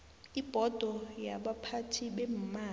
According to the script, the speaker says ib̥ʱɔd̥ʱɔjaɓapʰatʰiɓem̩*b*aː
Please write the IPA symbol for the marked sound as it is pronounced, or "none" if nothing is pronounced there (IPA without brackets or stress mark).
m